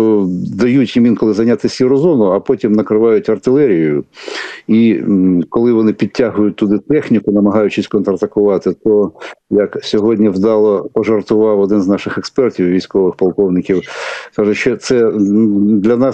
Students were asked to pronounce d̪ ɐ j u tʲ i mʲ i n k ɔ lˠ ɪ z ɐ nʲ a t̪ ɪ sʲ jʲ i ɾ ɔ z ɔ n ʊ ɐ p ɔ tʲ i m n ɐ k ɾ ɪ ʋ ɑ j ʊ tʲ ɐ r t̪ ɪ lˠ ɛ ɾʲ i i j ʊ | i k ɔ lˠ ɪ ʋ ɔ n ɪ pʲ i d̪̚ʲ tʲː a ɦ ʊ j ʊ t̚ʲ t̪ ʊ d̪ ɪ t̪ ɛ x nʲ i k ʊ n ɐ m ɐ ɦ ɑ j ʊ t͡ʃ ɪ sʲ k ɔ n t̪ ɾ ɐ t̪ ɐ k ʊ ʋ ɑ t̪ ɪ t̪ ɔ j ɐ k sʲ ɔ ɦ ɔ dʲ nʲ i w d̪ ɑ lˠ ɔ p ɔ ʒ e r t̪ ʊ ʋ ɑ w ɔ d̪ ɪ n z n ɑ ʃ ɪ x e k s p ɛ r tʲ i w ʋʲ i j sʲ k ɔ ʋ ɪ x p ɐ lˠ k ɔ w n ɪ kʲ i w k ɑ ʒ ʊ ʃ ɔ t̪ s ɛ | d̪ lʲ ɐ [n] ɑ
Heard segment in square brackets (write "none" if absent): n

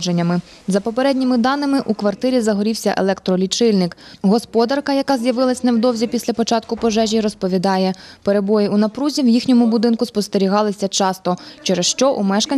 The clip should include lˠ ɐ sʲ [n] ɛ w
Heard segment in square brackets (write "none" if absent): n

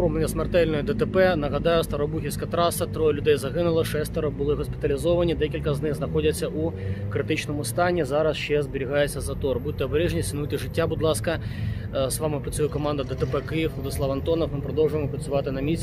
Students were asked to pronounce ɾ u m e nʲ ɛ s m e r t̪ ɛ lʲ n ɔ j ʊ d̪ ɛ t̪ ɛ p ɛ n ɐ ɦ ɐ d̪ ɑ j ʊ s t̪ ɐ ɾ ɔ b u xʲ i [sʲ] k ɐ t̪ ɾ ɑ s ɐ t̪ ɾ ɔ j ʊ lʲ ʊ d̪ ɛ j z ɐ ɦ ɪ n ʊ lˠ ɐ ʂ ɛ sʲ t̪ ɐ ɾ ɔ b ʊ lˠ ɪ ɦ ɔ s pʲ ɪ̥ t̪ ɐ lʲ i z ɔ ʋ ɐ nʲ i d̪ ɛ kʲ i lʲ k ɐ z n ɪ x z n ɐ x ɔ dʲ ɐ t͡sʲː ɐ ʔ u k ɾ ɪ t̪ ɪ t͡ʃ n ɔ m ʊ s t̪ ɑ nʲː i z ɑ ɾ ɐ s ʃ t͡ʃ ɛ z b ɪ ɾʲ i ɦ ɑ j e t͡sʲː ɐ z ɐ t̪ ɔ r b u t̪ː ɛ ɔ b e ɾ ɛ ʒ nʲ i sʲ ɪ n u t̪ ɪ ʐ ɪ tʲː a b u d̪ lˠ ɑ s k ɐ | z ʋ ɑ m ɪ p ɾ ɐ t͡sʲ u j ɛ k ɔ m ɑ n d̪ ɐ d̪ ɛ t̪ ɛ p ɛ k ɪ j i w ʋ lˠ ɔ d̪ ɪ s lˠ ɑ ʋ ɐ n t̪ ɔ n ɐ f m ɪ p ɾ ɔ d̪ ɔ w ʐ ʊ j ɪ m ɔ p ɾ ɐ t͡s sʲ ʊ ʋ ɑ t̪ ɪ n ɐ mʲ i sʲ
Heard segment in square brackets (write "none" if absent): sʲ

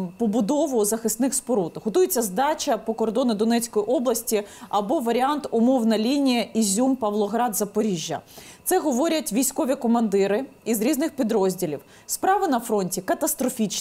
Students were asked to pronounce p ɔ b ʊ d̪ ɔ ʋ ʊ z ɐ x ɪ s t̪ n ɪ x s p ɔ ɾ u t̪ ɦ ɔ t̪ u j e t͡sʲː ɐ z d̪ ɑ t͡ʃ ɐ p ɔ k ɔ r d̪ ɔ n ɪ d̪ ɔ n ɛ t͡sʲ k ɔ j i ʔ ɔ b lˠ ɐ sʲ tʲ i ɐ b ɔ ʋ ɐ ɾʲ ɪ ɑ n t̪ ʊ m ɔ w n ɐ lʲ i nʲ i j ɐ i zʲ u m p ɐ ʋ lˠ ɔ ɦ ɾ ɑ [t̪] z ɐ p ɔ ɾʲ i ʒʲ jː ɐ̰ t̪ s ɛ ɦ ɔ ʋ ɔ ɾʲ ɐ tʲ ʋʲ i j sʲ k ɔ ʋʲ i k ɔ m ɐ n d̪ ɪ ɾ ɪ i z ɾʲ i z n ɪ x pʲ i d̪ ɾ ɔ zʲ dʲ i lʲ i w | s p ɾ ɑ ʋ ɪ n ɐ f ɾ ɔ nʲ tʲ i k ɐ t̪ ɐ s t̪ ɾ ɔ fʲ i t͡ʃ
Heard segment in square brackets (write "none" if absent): d̪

